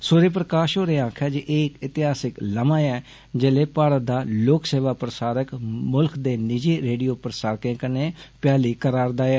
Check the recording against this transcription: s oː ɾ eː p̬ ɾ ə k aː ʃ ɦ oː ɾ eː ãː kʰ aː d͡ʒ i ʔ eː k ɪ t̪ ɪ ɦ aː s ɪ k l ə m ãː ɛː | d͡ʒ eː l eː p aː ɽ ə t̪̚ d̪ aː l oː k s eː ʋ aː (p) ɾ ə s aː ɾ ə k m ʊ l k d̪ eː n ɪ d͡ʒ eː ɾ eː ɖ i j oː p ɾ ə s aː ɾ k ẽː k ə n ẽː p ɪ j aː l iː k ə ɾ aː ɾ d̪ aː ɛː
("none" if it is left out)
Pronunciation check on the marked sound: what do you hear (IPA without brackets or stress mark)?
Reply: p